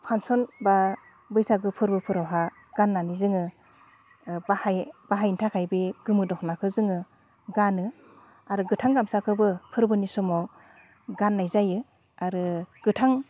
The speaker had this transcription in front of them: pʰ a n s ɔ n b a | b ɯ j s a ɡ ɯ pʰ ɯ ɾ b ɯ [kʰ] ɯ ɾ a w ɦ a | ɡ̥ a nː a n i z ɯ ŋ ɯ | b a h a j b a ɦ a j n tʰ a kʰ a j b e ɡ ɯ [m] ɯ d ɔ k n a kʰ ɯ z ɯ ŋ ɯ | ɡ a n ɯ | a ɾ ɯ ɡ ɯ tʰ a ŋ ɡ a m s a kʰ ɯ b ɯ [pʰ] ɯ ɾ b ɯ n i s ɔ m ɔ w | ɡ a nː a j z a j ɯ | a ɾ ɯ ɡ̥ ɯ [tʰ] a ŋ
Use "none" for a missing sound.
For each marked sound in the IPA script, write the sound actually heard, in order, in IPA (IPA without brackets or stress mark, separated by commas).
pʰ, m, pʰ, tʰ